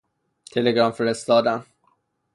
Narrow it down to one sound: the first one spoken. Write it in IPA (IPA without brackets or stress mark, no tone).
t̪ʰ